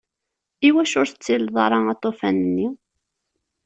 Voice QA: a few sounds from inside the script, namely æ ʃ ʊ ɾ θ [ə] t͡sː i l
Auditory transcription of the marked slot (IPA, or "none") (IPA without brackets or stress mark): ə